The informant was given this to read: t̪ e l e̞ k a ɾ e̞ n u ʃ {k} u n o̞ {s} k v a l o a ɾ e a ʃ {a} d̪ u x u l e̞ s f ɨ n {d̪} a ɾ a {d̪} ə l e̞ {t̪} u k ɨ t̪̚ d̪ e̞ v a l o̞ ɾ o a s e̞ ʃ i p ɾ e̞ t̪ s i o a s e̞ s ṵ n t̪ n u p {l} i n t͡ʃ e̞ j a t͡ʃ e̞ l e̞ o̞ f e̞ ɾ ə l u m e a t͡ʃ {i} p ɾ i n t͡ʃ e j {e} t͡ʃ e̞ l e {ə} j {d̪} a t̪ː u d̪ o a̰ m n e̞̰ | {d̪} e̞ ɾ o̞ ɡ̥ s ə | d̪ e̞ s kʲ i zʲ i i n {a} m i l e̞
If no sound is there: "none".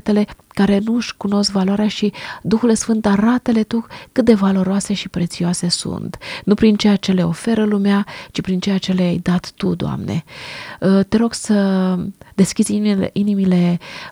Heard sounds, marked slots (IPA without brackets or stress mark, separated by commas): k, s, i, t̪, t̪, t̪, ɾ, i, a, a, d̪, t̪, i